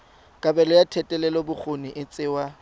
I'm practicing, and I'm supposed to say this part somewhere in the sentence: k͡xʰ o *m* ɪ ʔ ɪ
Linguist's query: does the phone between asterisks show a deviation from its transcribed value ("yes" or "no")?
yes